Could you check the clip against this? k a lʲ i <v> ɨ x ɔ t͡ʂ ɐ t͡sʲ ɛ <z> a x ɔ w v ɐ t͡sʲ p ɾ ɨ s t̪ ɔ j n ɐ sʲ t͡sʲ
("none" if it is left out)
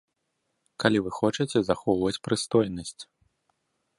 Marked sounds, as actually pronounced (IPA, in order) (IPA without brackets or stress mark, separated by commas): v, z